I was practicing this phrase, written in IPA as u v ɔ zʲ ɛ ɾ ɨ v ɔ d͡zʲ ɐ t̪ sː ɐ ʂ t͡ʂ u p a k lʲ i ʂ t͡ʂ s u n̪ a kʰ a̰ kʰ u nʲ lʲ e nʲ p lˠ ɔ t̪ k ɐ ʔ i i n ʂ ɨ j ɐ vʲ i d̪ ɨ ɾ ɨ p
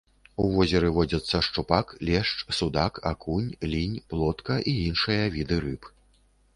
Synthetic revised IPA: u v ɔ zʲ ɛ ɾ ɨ v ɔ d͡zʲ ɐ t̪ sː ɐ ʂ t͡ʂ u p a k lʲ ɛ ʂ t͡ʂ s u d̪ a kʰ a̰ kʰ u nʲ lʲ i nʲ p lˠ ɔ t̪ k ɐ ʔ i i n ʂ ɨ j ɐ vʲ i d̪ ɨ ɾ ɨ p